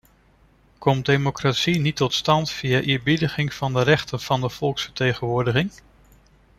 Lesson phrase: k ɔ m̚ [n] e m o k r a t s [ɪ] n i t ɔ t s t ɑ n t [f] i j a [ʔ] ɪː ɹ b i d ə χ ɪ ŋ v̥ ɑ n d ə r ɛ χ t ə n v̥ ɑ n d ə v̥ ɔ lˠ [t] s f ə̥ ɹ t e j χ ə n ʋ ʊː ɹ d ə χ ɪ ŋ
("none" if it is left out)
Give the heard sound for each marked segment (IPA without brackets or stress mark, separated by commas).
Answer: d, i, f, ʔ, k